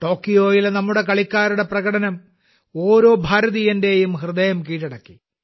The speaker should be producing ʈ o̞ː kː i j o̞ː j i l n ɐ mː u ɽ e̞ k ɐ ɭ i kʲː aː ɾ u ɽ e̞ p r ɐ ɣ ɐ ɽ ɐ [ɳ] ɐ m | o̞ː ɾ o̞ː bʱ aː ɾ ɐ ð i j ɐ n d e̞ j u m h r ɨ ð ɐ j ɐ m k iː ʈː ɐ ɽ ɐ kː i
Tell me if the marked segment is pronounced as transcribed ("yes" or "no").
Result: no